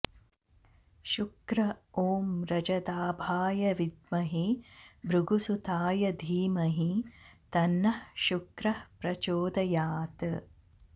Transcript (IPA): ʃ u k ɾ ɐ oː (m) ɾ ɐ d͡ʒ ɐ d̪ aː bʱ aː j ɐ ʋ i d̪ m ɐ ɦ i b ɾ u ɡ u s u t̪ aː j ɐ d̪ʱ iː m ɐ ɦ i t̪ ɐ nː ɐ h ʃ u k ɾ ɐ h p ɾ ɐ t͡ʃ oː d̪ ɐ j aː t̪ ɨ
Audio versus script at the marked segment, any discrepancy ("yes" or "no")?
no